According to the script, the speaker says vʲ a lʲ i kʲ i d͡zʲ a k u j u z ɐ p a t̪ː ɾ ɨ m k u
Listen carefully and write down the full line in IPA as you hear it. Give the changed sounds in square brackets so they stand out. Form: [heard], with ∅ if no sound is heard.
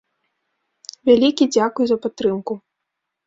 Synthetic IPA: vʲ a lʲ i kʲ i d͡zʲ a k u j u z ɐ p a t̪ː ɾ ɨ m k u

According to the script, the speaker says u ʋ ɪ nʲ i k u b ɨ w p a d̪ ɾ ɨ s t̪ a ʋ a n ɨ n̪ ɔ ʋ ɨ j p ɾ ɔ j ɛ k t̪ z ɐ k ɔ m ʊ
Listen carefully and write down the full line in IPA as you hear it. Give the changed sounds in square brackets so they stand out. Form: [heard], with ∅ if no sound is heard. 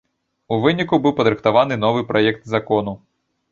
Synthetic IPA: u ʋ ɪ nʲ i k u b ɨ w p [ɐ] d̪ ɾ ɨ [x] t̪ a ʋ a n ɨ n̪ ɔ ʋ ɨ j p ɾ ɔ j ɛ k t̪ z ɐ k ɔ [n] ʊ

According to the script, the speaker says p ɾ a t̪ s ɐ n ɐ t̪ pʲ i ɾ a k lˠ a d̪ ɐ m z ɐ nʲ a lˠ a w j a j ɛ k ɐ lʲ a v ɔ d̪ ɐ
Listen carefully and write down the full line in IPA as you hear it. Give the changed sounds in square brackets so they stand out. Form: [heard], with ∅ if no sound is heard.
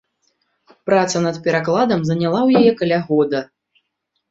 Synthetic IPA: p ɾ a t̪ s ɐ n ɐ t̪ pʲ [ɛ] ɾ a k lˠ a d̪ ɐ m z ɐ nʲ a lˠ a w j a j ɛ k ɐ lʲ a [ɣ] ɔ d̪ ɐ

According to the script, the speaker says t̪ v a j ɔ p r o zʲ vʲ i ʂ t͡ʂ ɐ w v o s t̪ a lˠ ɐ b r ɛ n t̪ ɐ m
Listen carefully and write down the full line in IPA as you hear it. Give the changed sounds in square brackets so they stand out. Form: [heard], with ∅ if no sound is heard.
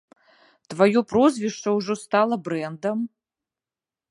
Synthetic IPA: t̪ v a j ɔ p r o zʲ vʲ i ʂ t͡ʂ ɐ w [ʐ] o s t̪ a lˠ ɐ b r ɛ n [d̪] ɐ m

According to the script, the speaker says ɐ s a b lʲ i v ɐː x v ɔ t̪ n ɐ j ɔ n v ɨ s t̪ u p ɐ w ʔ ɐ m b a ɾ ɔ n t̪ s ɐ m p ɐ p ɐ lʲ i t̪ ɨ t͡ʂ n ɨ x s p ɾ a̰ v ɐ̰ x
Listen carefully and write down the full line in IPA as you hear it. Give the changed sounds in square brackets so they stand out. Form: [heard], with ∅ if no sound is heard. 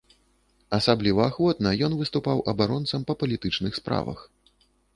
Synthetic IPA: ɐ s a b lʲ i v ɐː x v ɔ t̪ n ɐ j ɔ n v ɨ s t̪ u p [a] w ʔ ɐ [∅] b a ɾ ɔ n t̪ s ɐ m p ɐ p ɐ lʲ i t̪ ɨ t͡ʂ n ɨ x s p ɾ a̰ v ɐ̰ x

